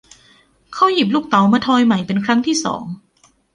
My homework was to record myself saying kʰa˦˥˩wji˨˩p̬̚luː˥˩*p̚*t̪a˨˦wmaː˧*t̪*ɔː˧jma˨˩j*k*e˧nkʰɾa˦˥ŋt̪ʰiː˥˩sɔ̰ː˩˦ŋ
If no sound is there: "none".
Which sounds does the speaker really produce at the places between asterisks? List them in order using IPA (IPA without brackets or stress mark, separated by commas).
k̚, t̪ʰ, p